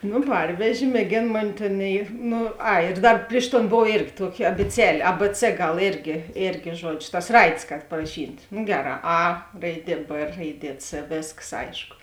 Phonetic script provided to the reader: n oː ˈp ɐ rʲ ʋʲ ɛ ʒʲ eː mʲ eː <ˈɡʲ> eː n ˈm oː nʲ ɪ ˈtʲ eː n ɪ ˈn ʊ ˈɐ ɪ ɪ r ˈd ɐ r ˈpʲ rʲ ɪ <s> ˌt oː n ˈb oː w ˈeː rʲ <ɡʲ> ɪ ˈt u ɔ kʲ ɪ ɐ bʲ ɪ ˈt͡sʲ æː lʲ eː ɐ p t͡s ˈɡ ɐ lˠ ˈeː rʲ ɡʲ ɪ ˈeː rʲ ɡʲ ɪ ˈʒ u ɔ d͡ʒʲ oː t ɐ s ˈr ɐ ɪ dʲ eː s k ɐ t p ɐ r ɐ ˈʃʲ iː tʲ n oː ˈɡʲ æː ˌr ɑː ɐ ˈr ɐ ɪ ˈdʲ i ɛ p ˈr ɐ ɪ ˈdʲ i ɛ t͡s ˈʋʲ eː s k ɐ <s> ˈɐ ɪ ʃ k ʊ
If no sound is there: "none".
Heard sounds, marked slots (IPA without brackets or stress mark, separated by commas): ɡʲ, ʃ, ɡʲ, s